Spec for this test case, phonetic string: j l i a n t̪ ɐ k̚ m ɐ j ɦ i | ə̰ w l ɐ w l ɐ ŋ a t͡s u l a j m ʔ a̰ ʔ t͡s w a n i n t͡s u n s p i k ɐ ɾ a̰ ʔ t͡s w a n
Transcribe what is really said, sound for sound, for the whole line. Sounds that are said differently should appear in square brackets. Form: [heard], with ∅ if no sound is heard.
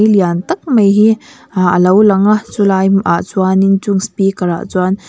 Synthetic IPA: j l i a n t̪ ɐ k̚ m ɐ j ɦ i | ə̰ [∅] l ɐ w l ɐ ŋ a t͡s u l a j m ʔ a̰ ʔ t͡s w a n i n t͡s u [ŋ] s p i k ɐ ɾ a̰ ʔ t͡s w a n